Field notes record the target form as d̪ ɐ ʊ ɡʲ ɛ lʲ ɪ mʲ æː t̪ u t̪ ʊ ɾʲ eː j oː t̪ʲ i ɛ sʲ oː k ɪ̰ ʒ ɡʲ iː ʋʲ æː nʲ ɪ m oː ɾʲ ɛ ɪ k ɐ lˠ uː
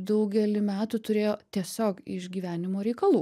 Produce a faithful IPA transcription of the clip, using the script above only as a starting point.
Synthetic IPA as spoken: d̪ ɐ ʊ ɡʲ ɛ lʲ ɪ mʲ æː t̪ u t̪ ʊ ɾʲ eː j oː t̪ʲ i ɛ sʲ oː k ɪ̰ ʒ ɡʲ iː ʋʲ æː nʲ ɪ m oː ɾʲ ɛ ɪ k ɐ lˠ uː